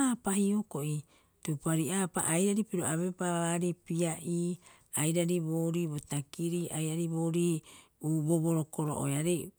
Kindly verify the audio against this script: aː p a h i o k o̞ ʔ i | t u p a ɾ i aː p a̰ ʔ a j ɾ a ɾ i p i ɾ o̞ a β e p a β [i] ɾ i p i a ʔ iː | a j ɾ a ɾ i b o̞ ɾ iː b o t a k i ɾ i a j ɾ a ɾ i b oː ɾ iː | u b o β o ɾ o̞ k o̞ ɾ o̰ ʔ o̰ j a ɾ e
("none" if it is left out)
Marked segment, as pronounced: a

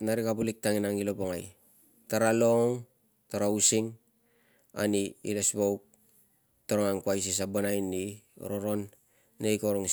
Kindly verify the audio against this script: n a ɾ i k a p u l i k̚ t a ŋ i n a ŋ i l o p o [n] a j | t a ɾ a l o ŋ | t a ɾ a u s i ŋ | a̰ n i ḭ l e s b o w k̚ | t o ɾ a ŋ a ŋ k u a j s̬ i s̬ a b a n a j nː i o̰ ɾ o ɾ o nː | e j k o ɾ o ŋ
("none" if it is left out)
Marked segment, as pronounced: ŋ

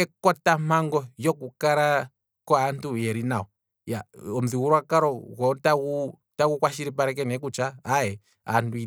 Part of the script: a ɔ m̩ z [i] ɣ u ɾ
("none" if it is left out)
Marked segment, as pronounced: i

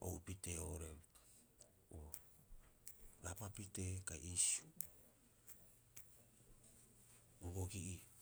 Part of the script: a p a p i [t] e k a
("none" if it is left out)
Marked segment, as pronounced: t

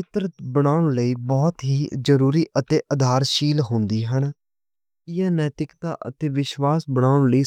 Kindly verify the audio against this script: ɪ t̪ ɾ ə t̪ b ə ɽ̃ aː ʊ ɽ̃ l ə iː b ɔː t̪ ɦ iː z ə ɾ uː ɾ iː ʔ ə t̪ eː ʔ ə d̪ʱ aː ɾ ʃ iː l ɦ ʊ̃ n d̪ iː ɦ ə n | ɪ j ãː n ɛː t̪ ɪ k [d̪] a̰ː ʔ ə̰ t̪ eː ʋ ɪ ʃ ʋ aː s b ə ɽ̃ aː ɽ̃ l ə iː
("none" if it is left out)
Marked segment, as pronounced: t̪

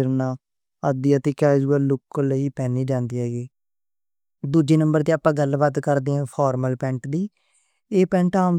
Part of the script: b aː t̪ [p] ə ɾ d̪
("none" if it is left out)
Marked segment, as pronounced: k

